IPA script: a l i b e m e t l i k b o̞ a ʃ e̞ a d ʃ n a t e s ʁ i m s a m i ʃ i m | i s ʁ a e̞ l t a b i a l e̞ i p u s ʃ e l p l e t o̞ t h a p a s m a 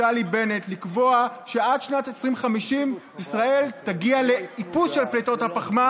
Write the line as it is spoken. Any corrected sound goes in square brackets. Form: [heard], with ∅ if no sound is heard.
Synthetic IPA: a l i b e [n] e t l i k [v] o̞ a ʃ e̞ a d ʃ n a t e s ʁ i m [χ] a m i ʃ i m | i s ʁ a e̞ l t a [ɡ] i a l e̞ i p u s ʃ e l p l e t o̞ t h a p a [χ] m a